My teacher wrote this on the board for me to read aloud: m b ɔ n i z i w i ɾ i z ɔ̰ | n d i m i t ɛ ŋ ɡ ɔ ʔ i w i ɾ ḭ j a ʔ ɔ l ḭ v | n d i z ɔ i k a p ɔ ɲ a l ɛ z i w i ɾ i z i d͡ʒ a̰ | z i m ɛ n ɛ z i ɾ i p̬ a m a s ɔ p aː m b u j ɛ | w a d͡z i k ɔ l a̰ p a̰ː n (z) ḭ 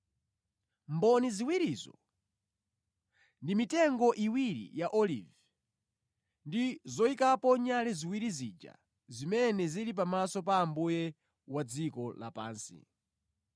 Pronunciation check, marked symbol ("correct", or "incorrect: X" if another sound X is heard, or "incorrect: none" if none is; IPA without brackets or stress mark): incorrect: s